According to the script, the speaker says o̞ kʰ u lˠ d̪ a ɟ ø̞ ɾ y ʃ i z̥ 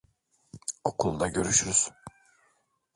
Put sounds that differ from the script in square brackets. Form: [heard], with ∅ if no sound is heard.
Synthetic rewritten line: o̞ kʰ u lˠ d̪ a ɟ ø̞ ɾ y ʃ [y] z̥

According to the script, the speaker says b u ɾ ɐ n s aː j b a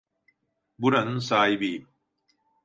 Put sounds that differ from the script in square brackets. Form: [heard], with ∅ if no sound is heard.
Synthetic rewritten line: b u ɾ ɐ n s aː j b [i]

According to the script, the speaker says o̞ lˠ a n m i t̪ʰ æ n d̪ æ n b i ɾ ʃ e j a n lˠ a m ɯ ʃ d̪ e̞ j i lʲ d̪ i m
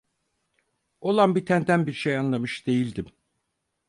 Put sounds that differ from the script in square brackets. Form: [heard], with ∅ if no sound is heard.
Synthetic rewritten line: o̞ lˠ a n [b] i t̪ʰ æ n d̪ æ n b i ɾ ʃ e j a n lˠ a m ɯ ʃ d̪ e̞ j i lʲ d̪ i m

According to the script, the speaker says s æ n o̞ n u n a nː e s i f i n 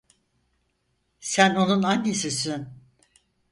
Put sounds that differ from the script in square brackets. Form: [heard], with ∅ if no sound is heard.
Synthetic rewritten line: s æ n o̞ n u n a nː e s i [s] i n

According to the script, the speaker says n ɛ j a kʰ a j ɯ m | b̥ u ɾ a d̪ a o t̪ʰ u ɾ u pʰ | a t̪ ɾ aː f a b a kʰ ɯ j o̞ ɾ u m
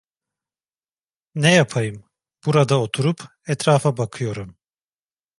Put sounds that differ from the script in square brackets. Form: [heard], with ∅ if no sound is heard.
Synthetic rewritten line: n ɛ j a [pʰ] a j ɯ m | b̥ u ɾ a d̪ a o t̪ʰ u ɾ u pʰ | [ɛ] t̪ ɾ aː f a b a kʰ ɯ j o̞ ɾ u m

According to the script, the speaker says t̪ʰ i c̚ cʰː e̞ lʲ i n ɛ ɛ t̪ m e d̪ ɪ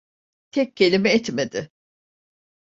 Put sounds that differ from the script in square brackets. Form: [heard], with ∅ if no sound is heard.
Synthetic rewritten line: t̪ʰ [ɛ] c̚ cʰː e̞ lʲ i [m] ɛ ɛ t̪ m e d̪ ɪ

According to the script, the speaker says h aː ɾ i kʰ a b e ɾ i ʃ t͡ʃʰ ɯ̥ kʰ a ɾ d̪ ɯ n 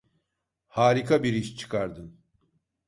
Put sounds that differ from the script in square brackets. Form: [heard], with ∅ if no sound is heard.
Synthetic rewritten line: h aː ɾ i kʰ a b [i] ɾ i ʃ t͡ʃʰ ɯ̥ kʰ a ɾ d̪ ɯ n

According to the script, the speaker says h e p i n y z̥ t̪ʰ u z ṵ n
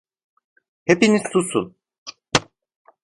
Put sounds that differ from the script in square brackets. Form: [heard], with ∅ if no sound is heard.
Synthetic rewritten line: h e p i n [i] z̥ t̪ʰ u [s] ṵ n

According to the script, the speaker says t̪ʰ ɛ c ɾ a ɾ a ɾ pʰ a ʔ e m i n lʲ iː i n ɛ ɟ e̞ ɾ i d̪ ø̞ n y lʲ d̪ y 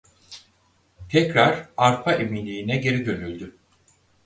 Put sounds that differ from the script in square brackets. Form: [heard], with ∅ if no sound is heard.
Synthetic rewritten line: t̪ʰ ɛ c ɾ a ɾ a ɾ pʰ a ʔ e m i n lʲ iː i n ɛ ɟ e̞ ɾ i d̪ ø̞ n y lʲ d̪ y

